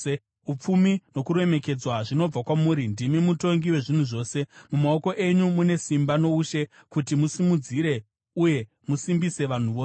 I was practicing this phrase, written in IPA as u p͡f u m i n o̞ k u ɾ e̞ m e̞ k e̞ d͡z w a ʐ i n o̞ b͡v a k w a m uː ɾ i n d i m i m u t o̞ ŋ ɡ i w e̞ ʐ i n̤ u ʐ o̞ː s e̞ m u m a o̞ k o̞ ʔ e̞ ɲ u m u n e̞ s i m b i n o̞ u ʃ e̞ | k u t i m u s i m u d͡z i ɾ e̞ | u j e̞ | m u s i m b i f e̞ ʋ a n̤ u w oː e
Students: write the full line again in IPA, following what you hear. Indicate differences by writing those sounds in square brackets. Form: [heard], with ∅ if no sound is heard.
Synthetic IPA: u p͡f u m i n o̞ k u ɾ e̞ m e̞ k e̞ d͡z w a ʐ i n o̞ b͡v a k w a m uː ɾ i n d i m i m u t o̞ ŋ ɡ i w e̞ ʐ i n̤ u ʐ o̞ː s e̞ m u m a o̞ k o̞ ʔ e̞ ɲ u m u n e̞ s i m b [a] n o̞ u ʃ e̞ | k u t i m u s i m u d͡z i ɾ e̞ | u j e̞ | m u s i m b i [s] e̞ ʋ a n̤ u [ʋ] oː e